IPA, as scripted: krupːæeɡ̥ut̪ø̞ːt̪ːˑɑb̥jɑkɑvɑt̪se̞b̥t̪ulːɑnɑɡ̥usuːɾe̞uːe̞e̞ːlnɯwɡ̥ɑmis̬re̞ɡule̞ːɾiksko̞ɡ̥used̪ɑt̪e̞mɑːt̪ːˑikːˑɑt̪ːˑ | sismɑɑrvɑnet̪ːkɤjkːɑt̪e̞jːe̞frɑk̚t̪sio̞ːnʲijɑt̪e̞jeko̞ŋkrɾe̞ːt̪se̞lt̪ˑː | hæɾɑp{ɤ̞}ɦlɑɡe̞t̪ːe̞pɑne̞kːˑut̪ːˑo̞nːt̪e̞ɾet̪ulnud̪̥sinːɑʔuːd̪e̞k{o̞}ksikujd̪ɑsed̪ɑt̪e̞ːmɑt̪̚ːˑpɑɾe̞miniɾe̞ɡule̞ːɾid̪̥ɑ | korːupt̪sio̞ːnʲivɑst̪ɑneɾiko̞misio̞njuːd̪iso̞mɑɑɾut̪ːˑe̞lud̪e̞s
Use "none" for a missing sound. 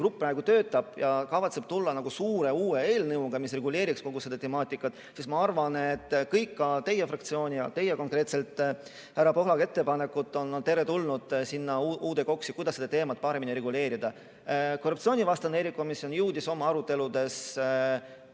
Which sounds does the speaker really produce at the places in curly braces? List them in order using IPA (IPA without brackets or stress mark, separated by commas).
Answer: o̞, o̞